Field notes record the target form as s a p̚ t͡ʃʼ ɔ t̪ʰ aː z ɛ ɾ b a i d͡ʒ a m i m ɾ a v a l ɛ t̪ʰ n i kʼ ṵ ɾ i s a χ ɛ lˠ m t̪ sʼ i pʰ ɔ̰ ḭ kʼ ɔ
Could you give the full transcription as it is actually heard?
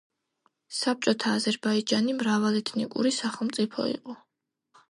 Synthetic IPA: s a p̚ t͡ʃʼ ɔ t̪ʰ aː z ɛ ɾ b a i d͡ʒ a n i m ɾ a v a l ɛ t̪ʰ n i kʼ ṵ ɾ i s a χ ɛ lˠ m t̪ sʼ i pʰ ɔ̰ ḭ qʼ ɔ